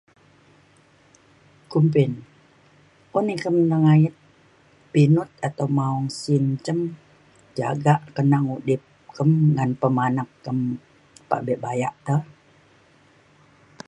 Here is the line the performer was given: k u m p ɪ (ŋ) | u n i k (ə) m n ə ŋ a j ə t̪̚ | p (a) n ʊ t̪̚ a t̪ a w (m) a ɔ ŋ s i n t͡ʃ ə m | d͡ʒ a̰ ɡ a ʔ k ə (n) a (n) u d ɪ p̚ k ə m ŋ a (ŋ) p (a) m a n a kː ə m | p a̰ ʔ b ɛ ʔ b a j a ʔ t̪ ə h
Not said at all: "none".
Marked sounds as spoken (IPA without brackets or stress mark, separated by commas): n, ə, i, m, n, ŋ, n, ə